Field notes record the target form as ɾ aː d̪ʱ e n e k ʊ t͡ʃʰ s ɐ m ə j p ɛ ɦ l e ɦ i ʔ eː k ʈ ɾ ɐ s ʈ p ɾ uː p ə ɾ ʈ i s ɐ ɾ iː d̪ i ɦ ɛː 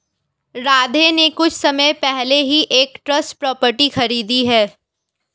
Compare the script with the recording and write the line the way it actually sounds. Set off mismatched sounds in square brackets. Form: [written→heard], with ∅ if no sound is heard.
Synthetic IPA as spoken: ɾ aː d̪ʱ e n e k ʊ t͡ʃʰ s ɐ m ə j p ɛ ɦ l e ɦ i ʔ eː k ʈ ɾ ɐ s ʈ p ɾ [uː→ɔː] p ə ɾ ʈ i [s→x] ɐ ɾ iː d̪ i ɦ ɛː